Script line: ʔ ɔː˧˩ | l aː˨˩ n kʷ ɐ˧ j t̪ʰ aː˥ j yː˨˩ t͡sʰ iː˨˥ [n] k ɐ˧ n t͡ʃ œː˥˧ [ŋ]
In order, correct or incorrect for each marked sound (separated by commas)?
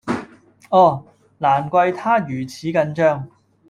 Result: incorrect, correct